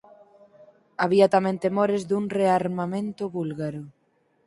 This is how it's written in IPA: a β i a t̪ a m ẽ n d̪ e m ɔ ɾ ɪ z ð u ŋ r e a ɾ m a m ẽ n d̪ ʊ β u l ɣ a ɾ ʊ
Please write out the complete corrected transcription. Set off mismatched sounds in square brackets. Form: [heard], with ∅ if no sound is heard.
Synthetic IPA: a β i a t̪ a m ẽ n [t̪] e m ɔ ɾ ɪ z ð u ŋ r e a ɾ m a m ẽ n [t̪] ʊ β u l ɣ a ɾ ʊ